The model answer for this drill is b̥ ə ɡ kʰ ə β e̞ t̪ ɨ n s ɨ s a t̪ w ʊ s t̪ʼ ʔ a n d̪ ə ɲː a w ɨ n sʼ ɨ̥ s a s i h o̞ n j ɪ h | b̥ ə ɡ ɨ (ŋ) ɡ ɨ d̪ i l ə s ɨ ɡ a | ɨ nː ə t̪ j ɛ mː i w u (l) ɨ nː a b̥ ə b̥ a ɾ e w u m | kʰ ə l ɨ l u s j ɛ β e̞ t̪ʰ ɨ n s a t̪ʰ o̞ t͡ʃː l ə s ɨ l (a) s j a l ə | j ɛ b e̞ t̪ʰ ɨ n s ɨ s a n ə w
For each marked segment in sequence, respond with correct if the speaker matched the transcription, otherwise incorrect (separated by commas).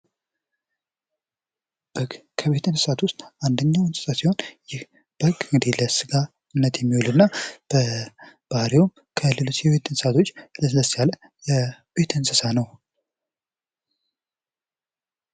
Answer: correct, correct, incorrect